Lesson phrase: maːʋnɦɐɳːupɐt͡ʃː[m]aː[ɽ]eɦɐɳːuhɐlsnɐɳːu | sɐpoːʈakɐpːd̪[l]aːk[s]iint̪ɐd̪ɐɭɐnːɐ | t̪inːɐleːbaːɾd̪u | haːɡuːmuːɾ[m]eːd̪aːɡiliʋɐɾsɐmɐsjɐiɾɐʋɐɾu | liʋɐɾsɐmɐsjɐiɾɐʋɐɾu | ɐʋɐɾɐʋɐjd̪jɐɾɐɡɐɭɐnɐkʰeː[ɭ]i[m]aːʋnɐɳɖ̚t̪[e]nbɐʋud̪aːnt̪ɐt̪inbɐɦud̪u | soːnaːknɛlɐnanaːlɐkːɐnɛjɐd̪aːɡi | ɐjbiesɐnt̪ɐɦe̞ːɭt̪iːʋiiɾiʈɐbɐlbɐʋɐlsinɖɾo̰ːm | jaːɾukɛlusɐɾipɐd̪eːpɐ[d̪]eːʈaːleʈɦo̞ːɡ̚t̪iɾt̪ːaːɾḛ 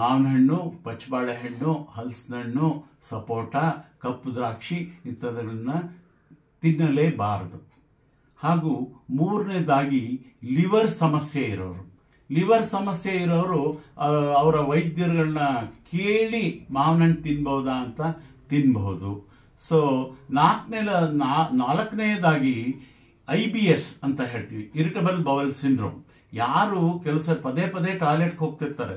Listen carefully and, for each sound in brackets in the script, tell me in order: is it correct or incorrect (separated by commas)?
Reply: incorrect, incorrect, incorrect, incorrect, incorrect, correct, correct, incorrect, correct